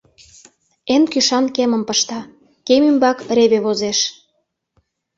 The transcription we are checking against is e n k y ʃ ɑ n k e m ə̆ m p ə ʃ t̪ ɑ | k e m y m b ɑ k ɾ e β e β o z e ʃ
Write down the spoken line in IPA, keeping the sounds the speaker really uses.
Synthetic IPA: e n k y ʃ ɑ n k e m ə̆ m p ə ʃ t̪ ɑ | k e m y m b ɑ k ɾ e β e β o z e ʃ